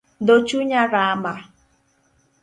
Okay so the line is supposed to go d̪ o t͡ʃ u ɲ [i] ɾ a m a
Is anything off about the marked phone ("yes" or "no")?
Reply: yes